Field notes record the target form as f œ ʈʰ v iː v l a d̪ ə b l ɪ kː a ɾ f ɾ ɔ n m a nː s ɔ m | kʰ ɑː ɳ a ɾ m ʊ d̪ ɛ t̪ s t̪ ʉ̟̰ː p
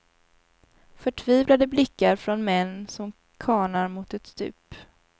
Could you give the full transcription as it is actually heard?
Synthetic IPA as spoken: f œ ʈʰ v iː v l a d̪ ə b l ɪ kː a ɾ f ɾ ɔ n m ɛ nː s ɔ m | kʰ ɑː ɳ a ɾ m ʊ t̪ ɛ t̪ s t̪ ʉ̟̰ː p